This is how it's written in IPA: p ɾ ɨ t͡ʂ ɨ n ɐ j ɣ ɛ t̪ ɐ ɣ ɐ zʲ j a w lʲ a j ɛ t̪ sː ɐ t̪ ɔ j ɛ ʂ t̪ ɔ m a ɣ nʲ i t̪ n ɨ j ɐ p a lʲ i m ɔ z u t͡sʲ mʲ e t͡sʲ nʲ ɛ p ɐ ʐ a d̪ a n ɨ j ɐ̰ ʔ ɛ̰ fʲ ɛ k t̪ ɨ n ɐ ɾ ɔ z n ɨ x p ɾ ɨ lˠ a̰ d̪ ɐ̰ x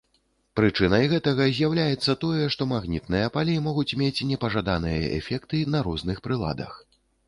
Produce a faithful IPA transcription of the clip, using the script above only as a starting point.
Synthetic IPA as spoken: p ɾ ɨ t͡ʂ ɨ n ɐ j ɣ ɛ t̪ ɐ ɣ ɐ zʲ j a w lʲ a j ɛ t̪ sː ɐ t̪ ɔ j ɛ ʂ t̪ ɔ m a ɣ nʲ i t̪ n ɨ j ɐ p a lʲ i m ɔ ɣ u t͡sʲ mʲ e t͡sʲ nʲ ɛ p ɐ ʐ a d̪ a n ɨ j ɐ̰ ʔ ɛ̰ fʲ ɛ k t̪ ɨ n ɐ ɾ ɔ z n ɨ x p ɾ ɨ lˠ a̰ d̪ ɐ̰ x